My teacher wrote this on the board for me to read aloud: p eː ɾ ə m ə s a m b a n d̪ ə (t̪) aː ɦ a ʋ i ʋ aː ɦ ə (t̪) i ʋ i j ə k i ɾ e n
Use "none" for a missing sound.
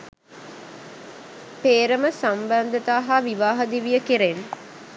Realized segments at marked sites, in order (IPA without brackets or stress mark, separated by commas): t̪, d̪